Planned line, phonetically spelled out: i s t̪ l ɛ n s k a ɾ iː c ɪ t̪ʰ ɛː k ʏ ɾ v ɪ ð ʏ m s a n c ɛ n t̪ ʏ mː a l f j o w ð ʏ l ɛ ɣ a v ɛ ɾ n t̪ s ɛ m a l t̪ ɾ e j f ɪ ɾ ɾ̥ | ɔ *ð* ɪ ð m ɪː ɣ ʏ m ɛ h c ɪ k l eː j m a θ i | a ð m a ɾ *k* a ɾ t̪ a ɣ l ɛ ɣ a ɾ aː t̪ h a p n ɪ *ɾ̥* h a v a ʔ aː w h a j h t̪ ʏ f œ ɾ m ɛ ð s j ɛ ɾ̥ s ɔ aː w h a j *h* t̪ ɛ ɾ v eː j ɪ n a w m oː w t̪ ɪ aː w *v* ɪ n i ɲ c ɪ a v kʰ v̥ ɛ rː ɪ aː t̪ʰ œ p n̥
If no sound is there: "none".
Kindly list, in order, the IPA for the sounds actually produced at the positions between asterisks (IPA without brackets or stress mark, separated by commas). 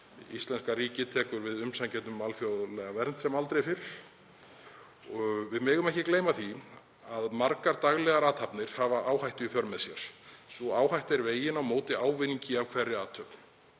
v, k, ɾ̥, h, v